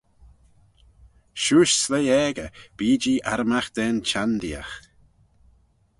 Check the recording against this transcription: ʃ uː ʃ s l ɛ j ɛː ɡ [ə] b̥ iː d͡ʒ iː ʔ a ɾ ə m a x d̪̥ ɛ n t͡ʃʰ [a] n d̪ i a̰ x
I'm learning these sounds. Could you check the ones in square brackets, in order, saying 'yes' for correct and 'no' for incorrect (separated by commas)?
yes, yes